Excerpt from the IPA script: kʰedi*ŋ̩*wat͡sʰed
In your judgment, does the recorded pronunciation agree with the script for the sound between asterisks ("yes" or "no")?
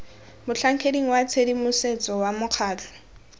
yes